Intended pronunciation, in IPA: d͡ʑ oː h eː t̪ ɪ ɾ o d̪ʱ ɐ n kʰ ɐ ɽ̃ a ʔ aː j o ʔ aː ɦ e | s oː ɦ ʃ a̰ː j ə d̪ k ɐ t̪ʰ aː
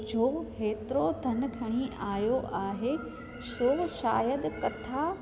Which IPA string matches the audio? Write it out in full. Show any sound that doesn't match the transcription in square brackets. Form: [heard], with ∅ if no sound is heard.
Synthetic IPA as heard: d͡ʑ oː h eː t̪ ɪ ɾ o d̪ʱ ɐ n kʰ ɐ ɽ̃ [i] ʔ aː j o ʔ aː ɦ e | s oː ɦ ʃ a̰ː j ə d̪ k ɐ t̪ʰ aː